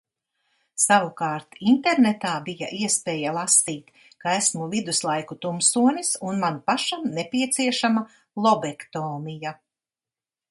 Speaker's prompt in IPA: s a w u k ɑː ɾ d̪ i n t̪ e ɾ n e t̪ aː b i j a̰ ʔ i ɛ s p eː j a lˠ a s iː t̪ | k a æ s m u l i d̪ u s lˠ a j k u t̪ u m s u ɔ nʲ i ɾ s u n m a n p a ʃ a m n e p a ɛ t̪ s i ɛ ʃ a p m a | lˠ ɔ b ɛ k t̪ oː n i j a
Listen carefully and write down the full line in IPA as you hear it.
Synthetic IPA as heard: s a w u k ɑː ɾ t̪ i n t̪ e ɾ n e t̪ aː b i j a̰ ʔ i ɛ s p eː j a lˠ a s iː t̪ | k a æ s m u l i d̪ u s lˠ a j k u t̪ u m s u ɔ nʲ i s u n m a n p a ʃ a m n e p i ɛ t̪ s i ɛ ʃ a m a | lˠ ɔ b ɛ k t̪ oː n i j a